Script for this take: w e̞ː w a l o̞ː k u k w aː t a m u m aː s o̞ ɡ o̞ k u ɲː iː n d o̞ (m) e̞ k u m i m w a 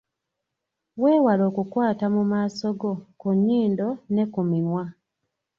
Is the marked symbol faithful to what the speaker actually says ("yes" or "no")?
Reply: no